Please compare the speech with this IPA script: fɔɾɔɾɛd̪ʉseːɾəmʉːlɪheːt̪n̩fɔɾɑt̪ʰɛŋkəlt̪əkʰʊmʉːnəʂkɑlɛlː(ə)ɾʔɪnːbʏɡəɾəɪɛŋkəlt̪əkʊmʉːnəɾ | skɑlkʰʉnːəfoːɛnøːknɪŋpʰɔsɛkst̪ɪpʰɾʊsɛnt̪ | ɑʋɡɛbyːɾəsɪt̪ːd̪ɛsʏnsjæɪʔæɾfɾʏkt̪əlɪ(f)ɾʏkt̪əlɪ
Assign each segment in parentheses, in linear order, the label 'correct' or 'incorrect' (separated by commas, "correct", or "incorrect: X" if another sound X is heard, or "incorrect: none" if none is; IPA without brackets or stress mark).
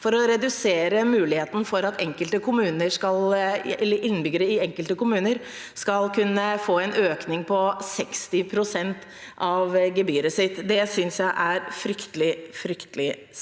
correct, correct